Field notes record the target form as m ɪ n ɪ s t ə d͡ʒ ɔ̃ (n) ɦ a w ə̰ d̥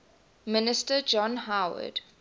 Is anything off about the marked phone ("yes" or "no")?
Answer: no